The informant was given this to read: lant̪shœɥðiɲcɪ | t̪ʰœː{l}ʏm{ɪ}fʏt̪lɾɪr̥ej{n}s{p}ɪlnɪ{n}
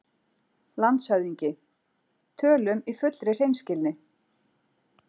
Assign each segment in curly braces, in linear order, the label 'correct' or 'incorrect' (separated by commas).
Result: correct, incorrect, correct, incorrect, incorrect